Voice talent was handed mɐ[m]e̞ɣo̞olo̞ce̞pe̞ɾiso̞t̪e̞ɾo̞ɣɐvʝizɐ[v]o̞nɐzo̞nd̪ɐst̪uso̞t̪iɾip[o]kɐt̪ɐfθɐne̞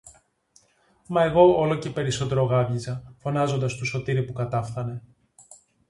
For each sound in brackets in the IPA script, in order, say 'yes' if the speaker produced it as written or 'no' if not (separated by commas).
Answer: no, no, no